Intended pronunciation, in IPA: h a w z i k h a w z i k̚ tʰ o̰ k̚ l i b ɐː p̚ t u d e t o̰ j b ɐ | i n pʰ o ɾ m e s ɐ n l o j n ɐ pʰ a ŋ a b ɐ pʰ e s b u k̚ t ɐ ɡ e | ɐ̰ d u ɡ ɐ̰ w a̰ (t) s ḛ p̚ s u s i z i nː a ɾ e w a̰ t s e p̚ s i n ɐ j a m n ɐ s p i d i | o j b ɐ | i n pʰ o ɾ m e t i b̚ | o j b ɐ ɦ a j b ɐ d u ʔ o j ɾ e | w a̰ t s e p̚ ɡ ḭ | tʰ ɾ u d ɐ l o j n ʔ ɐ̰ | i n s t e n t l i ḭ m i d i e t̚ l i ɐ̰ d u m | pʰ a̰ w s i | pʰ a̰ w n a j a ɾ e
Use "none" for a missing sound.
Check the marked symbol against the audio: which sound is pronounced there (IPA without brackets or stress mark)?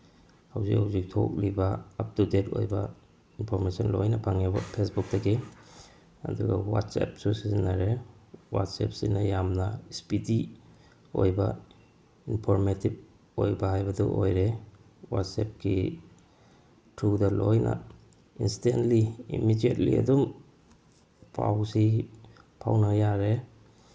t